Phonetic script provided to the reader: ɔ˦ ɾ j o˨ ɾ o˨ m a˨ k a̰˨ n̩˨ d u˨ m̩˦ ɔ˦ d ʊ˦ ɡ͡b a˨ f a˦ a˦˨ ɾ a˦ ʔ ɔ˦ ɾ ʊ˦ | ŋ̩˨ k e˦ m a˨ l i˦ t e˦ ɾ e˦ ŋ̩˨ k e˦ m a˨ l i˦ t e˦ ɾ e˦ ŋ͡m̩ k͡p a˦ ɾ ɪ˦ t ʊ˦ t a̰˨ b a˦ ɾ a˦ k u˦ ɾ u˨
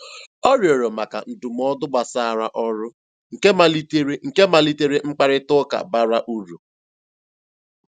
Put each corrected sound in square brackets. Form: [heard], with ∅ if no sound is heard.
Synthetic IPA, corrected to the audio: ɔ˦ ɾ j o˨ ɾ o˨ m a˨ k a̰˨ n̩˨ d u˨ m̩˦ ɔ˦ d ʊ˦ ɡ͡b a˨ [s] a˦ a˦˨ ɾ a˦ ʔ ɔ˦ ɾ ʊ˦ | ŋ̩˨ k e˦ m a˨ l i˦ t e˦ ɾ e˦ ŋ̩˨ k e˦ m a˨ l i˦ t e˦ ɾ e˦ ŋ͡m̩ k͡p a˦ ɾ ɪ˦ t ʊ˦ [k] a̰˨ b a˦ ɾ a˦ [ʔ] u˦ ɾ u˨